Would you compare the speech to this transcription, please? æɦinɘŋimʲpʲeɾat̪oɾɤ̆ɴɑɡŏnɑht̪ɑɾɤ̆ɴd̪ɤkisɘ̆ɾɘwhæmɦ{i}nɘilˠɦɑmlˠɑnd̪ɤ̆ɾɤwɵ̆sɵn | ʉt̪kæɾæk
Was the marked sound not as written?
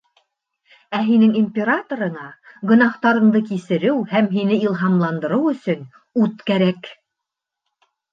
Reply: no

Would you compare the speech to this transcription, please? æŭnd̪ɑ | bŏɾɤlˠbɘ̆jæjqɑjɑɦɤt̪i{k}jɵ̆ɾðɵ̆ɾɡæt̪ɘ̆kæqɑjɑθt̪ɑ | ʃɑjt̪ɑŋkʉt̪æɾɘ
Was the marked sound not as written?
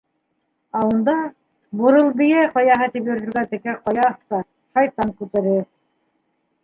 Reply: yes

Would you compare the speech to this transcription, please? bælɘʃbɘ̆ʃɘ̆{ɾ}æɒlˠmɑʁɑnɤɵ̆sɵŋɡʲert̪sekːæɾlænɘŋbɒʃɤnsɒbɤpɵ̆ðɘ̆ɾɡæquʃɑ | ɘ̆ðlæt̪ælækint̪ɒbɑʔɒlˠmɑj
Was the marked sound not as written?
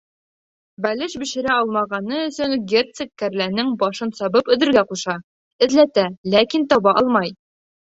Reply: no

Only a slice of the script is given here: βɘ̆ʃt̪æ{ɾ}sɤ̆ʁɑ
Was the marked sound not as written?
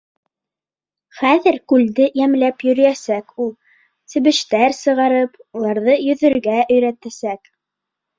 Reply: no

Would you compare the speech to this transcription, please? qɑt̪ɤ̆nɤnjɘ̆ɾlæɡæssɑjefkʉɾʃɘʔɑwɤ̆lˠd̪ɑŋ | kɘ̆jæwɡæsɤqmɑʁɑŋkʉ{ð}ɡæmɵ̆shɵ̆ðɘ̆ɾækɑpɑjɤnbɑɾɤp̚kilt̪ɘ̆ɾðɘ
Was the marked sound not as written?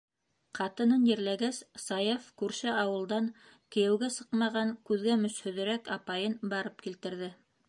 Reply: no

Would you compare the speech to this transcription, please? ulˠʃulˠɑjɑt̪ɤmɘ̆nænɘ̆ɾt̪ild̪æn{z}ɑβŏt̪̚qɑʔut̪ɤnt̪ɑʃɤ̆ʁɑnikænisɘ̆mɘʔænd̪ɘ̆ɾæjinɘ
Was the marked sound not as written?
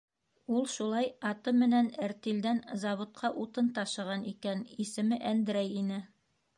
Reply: no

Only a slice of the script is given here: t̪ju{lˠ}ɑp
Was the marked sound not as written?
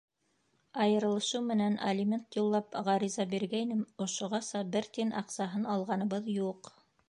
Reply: yes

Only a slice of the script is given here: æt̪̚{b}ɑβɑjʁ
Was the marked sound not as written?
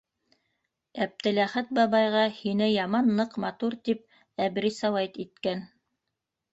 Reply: no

